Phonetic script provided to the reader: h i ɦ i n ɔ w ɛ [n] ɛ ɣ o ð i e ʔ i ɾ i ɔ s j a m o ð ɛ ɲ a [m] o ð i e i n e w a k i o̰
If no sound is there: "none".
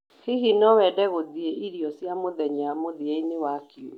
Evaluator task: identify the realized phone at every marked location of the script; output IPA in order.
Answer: d, m

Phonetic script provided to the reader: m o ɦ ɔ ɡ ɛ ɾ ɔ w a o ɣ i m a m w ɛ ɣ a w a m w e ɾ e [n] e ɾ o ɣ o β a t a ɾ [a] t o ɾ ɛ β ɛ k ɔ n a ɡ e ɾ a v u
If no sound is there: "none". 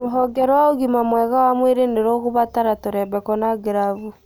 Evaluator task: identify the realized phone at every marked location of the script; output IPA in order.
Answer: n, a

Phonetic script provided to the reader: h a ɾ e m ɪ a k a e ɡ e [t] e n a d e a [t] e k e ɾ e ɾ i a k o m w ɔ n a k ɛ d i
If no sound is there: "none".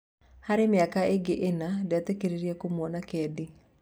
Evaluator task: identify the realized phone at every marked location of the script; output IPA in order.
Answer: ʔ, t

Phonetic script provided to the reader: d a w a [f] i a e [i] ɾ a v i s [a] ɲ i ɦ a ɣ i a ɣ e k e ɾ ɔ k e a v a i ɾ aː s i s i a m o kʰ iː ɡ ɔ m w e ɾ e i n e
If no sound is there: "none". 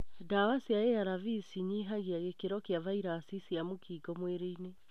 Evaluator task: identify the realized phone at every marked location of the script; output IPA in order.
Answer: s, a, i

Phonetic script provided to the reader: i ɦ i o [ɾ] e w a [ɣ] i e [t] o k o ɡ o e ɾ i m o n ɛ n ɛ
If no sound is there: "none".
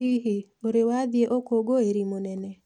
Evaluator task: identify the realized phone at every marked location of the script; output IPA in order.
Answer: ɾ, ð, ʔ

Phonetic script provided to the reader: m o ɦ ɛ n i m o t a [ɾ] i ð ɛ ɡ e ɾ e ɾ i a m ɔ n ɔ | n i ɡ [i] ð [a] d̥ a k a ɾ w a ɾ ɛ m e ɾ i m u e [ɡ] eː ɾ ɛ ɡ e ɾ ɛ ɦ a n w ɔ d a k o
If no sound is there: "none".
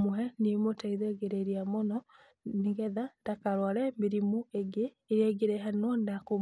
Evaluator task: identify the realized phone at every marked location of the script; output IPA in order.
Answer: none, ɛ, a, ɡ

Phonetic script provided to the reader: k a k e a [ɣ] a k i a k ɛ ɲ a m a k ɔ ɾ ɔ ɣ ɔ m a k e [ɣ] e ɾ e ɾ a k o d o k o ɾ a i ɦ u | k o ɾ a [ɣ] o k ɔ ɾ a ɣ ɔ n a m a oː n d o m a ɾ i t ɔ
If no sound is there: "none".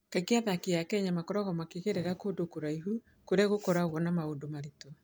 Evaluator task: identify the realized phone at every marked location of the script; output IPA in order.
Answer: ð, ɣ, ɣ

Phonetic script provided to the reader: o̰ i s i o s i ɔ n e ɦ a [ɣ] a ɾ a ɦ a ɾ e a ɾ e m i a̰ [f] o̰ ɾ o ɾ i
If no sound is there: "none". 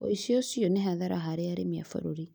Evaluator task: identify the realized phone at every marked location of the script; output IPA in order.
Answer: ð, f

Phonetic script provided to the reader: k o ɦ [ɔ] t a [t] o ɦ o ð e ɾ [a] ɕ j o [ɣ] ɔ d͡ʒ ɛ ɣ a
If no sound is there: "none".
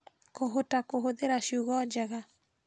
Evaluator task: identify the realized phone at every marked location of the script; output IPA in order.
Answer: o, k, a, ɣ

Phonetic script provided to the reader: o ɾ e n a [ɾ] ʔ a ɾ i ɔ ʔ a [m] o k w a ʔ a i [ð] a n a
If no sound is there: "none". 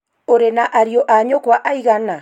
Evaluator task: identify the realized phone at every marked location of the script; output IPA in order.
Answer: none, ɲ, ɣ

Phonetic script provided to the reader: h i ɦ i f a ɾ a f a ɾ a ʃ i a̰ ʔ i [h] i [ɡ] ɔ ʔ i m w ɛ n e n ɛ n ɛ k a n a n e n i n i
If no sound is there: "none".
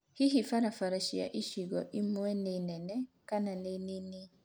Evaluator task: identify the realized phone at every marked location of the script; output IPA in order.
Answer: ʃ, ɡ

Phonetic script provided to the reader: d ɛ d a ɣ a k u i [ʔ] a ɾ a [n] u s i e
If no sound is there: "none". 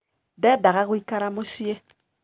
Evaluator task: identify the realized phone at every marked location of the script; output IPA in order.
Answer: k, m

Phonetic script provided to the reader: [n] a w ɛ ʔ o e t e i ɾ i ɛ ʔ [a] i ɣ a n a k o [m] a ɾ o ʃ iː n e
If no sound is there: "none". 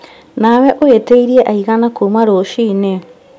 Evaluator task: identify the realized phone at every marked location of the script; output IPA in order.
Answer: n, a, m

